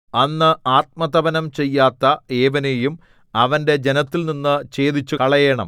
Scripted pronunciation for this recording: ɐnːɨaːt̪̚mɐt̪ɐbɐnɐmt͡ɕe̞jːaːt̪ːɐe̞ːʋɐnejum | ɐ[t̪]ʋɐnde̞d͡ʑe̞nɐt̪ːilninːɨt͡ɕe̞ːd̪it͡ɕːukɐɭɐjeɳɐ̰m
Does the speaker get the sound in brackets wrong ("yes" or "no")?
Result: yes